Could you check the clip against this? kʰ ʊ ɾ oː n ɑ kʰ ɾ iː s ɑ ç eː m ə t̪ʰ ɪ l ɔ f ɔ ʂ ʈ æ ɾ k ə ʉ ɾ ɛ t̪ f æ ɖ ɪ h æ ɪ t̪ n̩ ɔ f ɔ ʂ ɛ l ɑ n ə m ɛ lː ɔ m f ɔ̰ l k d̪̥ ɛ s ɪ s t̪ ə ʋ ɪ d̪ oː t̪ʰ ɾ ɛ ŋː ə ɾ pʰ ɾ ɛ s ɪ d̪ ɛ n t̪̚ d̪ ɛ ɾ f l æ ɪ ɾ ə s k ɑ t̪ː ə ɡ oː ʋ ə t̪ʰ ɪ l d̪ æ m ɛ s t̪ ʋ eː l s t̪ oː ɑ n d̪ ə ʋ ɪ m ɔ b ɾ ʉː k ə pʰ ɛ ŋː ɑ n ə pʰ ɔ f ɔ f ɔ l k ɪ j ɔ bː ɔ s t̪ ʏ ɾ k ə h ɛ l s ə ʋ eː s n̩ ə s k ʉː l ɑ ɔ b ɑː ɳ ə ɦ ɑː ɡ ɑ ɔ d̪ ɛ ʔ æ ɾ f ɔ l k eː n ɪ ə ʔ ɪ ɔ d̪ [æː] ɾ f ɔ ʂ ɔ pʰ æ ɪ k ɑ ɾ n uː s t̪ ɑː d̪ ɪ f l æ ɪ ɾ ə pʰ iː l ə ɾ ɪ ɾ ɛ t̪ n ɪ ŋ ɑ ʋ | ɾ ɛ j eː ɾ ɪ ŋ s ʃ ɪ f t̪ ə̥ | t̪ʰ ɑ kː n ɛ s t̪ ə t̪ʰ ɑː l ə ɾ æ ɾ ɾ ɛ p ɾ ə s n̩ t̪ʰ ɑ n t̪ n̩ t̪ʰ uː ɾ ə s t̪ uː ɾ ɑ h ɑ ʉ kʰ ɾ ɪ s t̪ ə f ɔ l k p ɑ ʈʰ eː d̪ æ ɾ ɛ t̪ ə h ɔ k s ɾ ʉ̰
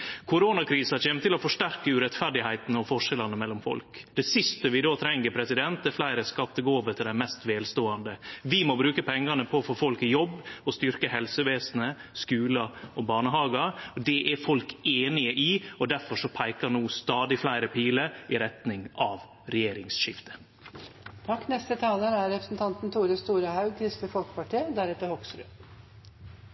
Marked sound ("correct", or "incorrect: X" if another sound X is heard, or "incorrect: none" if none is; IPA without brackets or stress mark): incorrect: æ